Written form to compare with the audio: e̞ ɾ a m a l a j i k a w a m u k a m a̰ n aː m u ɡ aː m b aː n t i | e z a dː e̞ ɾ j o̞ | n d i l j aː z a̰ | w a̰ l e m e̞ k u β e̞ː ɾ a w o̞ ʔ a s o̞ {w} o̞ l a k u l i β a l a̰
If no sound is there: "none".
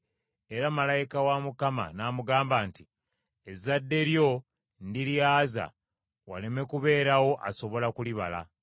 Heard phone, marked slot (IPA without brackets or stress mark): β